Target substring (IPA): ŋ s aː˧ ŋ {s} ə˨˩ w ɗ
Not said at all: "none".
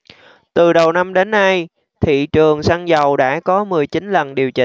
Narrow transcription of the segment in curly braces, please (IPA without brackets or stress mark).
z